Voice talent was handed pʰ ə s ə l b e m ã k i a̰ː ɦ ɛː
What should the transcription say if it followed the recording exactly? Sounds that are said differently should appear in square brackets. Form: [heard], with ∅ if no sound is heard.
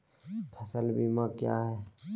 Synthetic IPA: pʰ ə s ə l b [i] m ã k [j] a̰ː ɦ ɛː

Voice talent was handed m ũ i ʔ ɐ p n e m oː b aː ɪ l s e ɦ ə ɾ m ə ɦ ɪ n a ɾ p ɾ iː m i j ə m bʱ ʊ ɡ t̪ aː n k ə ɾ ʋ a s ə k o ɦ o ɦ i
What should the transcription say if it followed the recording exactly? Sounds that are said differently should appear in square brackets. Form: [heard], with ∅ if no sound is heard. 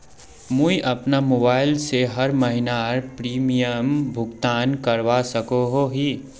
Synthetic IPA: m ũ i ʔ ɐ p n [a] m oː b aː ɪ l s e ɦ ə ɾ m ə ɦ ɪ n a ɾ p ɾ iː m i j ə m bʱ ʊ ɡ t̪ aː n k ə ɾ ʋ a s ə k o ɦ o ɦ i

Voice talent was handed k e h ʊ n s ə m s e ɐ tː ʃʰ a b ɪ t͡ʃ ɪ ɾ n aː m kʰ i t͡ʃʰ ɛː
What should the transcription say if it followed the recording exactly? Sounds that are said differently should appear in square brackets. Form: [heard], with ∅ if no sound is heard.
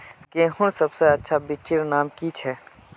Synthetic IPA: k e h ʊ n s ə [b] s e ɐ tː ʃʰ a b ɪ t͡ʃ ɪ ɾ n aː m [k] i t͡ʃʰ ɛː

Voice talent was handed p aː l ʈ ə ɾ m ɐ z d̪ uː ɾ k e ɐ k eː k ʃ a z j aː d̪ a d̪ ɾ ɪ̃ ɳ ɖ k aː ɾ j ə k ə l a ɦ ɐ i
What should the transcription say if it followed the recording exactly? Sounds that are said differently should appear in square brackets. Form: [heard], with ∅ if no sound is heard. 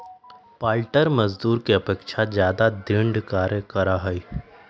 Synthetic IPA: p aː l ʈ ə ɾ m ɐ z d̪ uː ɾ k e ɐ [p] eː k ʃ a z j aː d̪ a d̪ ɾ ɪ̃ ɳ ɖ k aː ɾ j ə k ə [ɾ] a ɦ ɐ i

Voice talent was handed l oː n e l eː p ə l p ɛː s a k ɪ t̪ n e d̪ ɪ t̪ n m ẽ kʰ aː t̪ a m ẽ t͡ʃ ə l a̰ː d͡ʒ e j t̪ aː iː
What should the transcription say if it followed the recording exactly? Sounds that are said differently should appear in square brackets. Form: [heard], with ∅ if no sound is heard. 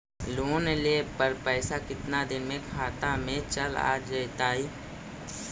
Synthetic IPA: l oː n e l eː p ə [ɾ] p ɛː s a k ɪ t̪ n [a] d̪ ɪ [∅] n m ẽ kʰ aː t̪ a m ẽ t͡ʃ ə l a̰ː d͡ʒ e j t̪ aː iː

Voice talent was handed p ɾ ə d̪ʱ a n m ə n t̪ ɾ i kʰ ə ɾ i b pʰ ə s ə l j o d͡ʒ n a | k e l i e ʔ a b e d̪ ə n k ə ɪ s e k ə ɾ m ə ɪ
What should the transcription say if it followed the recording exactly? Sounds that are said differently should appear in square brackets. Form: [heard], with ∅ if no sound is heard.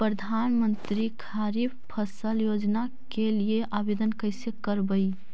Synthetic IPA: p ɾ ə d̪ʱ a n m ə n t̪ ɾ i kʰ [a] ɾ i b pʰ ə s ə l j o d͡ʒ n a | k e l i e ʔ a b e d̪ ə n k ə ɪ s e k ə ɾ [b] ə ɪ

